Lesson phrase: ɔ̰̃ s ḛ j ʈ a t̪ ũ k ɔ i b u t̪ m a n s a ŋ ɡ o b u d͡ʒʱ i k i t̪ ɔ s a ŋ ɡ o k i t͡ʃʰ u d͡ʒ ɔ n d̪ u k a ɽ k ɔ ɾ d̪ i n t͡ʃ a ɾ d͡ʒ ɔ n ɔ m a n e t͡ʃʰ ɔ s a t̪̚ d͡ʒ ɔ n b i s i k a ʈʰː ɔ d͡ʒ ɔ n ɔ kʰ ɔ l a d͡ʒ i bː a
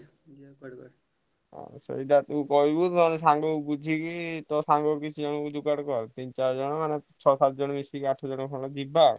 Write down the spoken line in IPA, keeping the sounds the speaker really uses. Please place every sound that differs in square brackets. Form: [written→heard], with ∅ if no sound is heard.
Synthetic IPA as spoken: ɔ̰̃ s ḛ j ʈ a t̪ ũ k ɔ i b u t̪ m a n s a ŋ ɡ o b u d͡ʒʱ i k i t̪ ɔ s a ŋ ɡ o k i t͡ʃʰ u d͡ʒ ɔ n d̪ u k a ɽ k ɔ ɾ [d̪→t̪] i n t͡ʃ a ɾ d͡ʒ ɔ n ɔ m a n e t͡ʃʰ ɔ s a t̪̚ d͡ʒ ɔ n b i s i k a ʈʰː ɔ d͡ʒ ɔ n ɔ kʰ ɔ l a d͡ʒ i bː a